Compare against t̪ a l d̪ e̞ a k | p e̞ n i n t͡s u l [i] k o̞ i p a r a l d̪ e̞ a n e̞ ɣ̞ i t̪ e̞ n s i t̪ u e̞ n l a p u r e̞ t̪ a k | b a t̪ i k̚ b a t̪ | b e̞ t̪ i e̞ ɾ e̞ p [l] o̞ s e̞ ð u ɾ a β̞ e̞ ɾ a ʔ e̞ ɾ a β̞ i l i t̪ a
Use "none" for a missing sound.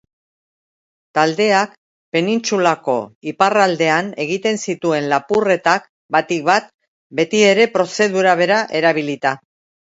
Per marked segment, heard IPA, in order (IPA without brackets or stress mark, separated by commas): a, ɾ